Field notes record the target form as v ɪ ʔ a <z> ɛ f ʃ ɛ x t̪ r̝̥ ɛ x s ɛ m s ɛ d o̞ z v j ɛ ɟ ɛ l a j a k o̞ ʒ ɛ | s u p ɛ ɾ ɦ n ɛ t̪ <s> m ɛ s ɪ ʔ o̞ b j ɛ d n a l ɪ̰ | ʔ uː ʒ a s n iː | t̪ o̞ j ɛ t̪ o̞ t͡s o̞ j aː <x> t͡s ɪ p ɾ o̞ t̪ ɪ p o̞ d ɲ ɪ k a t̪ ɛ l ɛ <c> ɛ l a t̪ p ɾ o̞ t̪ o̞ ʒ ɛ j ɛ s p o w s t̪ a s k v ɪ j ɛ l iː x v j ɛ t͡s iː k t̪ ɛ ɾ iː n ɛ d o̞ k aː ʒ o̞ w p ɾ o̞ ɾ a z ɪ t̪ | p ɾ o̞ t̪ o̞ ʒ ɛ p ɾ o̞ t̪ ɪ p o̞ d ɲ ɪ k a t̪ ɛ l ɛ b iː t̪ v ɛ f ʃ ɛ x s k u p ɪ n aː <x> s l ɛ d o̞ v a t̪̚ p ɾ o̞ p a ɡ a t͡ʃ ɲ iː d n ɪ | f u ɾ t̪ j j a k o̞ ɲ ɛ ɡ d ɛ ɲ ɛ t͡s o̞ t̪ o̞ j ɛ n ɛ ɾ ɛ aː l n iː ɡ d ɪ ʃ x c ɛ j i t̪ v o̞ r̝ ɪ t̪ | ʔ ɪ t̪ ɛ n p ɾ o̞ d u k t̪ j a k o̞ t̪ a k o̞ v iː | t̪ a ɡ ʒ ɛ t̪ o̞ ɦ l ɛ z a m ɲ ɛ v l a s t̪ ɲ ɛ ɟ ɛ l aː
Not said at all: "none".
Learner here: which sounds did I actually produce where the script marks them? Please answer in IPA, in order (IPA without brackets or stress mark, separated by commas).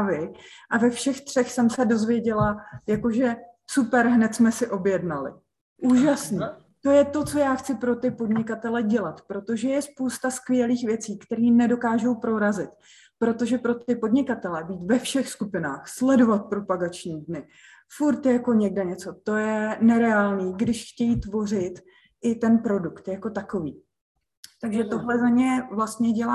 v, s, x, ɟ, x